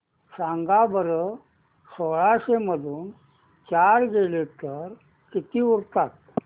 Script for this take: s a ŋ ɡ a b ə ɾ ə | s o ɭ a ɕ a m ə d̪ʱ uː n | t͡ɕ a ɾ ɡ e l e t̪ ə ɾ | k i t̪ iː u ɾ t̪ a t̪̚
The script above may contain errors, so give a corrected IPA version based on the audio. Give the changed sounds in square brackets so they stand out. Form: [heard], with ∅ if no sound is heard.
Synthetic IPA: s a ŋ ɡ a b ə ɾ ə | s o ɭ a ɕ [e] m ə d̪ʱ uː n | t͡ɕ a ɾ ɡ e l e t̪ ə ɾ | k i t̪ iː u ɾ t̪ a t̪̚